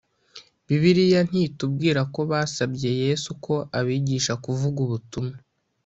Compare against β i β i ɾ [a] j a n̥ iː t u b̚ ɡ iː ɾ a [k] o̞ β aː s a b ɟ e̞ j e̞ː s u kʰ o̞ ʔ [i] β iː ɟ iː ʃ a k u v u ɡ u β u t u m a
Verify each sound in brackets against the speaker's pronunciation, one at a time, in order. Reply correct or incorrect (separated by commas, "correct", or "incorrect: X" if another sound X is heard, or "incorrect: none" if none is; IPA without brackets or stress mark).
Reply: incorrect: i, correct, incorrect: a